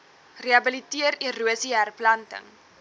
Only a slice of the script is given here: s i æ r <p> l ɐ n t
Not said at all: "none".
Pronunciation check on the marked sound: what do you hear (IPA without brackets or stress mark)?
p